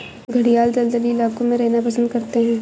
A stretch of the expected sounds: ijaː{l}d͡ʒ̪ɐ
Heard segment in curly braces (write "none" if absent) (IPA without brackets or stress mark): l